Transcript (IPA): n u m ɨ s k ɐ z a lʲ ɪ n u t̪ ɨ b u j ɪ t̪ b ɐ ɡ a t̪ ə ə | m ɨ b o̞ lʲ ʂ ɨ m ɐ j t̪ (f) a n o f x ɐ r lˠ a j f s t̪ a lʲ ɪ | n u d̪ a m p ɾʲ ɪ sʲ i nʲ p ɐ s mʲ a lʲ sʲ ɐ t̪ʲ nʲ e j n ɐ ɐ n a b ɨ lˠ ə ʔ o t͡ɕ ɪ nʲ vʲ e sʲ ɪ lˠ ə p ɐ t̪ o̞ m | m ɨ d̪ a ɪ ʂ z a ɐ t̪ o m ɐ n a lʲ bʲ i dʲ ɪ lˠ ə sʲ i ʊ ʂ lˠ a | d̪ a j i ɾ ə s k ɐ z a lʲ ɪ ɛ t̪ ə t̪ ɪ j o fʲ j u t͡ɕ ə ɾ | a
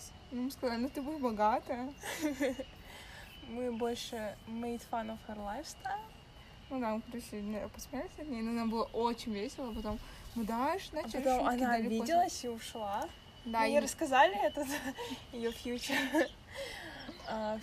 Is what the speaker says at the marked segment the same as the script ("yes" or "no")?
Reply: yes